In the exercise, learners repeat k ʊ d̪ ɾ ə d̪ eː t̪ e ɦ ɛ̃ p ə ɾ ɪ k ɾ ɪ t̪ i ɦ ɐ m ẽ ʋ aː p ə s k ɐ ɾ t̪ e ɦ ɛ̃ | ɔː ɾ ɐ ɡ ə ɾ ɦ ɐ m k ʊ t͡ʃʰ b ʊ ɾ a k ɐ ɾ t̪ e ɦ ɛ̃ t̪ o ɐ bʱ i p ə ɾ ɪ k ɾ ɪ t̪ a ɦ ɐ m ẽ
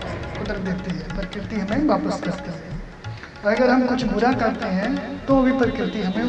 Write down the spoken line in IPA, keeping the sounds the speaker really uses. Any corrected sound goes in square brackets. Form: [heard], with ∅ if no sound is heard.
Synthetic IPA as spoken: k ʊ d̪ ɾ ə d̪ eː t̪ e ɦ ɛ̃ p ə ɾ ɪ k ɾ ɪ t̪ i ɦ ɐ m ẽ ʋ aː p ə s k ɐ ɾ t̪ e ɦ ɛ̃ | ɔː ɾ ɐ ɡ ə ɾ ɦ ɐ m k ʊ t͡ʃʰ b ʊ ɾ a k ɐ ɾ t̪ e ɦ ɛ̃ t̪ o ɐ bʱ i p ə ɾ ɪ k ɾ ɪ t̪ [i] ɦ ɐ m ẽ